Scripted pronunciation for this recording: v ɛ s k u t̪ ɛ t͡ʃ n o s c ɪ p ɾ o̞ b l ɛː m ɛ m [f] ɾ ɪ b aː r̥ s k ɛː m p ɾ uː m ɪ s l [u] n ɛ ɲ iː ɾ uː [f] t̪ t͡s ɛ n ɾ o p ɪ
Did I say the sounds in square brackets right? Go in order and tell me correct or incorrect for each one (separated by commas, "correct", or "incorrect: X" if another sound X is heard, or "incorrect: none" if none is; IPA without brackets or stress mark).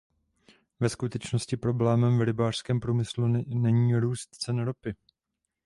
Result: incorrect: v, correct, incorrect: s